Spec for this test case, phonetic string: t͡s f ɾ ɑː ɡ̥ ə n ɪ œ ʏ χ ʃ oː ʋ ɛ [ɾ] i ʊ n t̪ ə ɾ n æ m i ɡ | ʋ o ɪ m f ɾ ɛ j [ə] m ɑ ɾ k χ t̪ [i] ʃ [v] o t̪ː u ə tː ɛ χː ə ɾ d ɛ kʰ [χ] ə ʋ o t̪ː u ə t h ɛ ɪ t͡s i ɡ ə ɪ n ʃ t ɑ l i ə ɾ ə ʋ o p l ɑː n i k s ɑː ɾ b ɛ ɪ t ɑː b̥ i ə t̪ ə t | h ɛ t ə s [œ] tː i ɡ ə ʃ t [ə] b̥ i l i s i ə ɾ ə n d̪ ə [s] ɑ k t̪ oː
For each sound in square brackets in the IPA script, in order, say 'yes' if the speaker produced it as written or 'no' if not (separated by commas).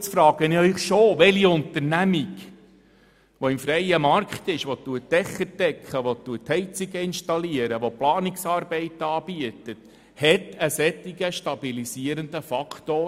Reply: no, yes, no, no, yes, no, no, no